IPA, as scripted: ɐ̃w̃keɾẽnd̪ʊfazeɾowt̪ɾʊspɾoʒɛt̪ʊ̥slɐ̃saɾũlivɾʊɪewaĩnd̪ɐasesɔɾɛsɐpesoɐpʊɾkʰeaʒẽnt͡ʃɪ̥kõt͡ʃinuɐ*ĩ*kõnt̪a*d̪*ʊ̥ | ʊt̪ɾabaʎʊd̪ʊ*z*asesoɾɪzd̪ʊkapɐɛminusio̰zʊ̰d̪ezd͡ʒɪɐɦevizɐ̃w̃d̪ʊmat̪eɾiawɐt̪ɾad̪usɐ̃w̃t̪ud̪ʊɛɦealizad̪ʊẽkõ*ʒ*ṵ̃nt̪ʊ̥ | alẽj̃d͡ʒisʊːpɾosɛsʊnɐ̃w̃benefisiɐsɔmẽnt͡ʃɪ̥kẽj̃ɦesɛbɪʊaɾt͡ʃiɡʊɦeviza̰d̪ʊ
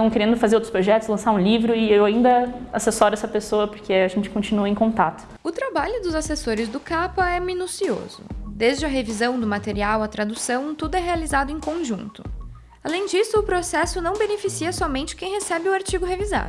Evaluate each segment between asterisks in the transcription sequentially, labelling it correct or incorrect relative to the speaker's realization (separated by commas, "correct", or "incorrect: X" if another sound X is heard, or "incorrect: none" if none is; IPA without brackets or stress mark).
incorrect: ẽ, incorrect: t̪, correct, correct